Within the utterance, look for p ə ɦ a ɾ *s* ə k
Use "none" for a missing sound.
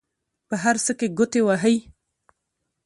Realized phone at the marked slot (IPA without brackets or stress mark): s